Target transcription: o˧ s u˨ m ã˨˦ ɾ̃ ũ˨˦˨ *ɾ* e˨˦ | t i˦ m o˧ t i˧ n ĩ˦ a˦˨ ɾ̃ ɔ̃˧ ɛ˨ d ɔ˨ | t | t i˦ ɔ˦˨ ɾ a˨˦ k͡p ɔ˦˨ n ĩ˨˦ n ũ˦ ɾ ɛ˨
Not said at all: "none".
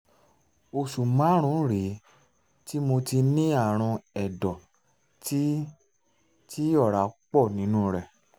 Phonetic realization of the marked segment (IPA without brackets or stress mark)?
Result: ɾ